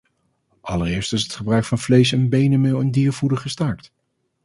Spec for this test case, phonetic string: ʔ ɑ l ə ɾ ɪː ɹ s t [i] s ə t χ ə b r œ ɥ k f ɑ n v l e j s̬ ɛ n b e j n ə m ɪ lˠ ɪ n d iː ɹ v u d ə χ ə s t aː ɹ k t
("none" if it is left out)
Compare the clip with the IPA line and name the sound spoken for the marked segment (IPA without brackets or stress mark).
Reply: ɪ